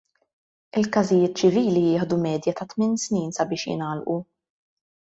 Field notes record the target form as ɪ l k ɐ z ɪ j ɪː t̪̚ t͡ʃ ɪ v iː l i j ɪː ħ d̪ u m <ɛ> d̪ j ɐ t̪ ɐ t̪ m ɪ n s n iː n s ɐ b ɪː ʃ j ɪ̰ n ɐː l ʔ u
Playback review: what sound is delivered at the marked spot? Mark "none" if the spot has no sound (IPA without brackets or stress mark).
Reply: ɛː